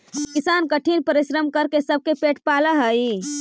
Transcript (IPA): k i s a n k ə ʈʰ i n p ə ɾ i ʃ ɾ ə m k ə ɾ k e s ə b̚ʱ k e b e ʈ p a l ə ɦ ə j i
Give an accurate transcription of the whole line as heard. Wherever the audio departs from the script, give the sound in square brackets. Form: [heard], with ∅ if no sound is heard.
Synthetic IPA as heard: k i s a n k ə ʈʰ i n p ə ɾ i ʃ ɾ ə m k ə ɾ k e s ə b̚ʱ k e [p] e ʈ p a l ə ɦ ə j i

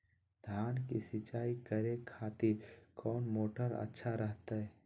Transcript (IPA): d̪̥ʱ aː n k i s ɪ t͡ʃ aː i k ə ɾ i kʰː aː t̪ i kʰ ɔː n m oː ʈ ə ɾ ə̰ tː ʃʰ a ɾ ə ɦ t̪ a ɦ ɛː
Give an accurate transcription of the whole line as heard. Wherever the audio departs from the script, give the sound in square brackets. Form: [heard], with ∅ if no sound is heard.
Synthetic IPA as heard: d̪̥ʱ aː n k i s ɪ t͡ʃ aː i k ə ɾ [e] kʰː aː t̪ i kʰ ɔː n m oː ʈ ə ɾ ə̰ tː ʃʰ a ɾ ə ɦ t̪ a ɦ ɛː

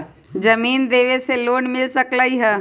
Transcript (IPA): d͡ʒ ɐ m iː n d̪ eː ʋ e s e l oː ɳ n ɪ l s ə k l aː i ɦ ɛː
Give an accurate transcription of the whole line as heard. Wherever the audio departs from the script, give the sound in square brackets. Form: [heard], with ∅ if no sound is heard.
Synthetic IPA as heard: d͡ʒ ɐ m iː n d̪ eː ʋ e s e l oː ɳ [m] ɪ l s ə k l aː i ɦ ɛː

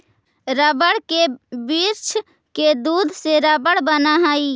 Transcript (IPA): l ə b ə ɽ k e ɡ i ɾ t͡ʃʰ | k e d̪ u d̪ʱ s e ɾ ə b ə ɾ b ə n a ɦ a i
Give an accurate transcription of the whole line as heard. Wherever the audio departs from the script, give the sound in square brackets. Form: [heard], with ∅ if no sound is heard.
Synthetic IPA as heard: [ɾ] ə b ə ɽ k e [b] i ɾ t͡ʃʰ | k e d̪ u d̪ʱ s e ɾ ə b ə [ɽ] b ə n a ɦ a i

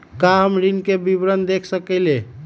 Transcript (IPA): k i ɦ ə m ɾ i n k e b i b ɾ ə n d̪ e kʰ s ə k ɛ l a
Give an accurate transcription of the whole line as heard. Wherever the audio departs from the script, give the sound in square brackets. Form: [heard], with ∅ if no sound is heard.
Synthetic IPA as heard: k [a] ɦ ə m ɾ i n k e b i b ɾ ə n d̪ e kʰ s ə k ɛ l [e]

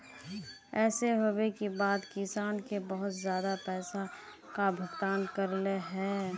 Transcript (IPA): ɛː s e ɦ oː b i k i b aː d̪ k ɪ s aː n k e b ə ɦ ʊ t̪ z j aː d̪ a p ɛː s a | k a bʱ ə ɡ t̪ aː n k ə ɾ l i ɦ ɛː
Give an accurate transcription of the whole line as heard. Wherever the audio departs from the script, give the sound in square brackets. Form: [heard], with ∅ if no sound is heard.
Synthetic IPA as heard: ɛː s e ɦ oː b [e] k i b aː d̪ k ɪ s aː n k e b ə ɦ ʊ t̪ z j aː d̪ a p ɛː s a | k a bʱ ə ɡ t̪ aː n k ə ɾ l [e] ɦ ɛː

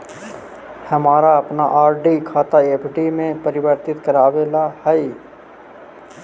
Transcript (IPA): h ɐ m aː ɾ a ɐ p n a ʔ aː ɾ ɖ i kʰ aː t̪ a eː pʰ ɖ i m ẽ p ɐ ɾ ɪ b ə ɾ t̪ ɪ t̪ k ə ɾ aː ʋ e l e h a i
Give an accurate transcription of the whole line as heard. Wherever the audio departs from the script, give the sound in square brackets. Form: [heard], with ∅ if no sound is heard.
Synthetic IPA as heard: h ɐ m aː ɾ a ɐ p n a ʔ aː ɾ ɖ i kʰ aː t̪ a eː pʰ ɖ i m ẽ p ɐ ɾ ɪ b ə ɾ t̪ ɪ t̪ k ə ɾ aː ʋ e l [a] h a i

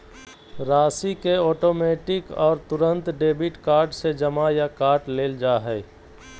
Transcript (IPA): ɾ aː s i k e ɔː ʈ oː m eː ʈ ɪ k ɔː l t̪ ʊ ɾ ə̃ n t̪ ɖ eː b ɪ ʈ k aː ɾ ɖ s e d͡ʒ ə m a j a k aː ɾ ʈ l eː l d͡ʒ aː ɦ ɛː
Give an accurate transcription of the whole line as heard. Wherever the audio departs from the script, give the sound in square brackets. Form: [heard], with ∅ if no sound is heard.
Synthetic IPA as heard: ɾ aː s i k e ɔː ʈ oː m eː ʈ ɪ k ɔː [ɾ] t̪ ʊ ɾ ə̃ n t̪ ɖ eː b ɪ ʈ k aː ɾ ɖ s e d͡ʒ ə m a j a k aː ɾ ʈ l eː l d͡ʒ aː ɦ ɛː

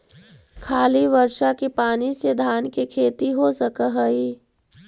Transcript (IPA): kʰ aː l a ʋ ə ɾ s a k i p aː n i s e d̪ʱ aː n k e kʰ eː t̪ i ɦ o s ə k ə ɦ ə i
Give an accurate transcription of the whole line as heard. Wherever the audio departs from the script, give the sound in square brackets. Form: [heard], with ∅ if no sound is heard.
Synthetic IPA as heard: kʰ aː l [i] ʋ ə ɾ [ʃ] a k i p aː n i s e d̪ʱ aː n k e kʰ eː t̪ i ɦ o s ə k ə ɦ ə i

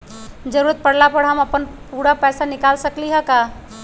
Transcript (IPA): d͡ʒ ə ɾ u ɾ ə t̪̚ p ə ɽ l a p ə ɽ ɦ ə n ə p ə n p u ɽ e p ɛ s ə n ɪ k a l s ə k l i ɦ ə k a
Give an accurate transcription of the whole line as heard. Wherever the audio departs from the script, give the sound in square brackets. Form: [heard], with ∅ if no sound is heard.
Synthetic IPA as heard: d͡ʒ ə ɾ u ɾ ə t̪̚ p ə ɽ l a p ə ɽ ɦ ə [m] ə p ə n p u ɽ [a] p ɛ s [a] n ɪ k a l s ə k l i ɦ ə k a

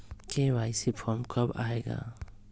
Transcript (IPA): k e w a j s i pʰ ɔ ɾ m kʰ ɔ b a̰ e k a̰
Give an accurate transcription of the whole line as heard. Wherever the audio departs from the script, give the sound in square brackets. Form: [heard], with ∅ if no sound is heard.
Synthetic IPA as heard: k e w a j s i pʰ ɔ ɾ m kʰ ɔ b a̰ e [ɡ] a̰

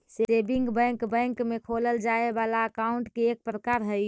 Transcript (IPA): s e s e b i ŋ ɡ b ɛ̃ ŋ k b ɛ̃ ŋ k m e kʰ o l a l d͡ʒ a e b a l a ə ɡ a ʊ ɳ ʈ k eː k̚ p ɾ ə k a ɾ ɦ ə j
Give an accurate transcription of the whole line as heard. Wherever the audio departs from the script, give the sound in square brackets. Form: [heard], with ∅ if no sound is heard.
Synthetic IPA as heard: s e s e b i ŋ ɡ b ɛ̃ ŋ k b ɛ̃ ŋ k m e kʰ o l [ə] l d͡ʒ a e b a l a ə [k] a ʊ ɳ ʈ k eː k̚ p ɾ ə k a ɾ ɦ ə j

